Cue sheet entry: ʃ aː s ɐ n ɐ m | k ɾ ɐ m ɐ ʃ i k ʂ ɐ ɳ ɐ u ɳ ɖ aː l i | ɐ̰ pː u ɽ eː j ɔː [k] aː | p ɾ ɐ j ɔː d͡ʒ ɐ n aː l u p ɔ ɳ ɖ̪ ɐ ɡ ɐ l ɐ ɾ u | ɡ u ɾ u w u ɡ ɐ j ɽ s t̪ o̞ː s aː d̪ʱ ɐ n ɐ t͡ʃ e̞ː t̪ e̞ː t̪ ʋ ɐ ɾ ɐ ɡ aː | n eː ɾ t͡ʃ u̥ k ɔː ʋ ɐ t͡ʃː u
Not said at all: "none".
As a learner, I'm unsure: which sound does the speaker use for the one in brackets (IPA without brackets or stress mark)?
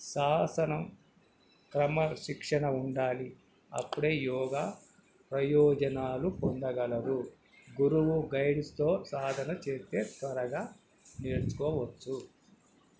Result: ɡ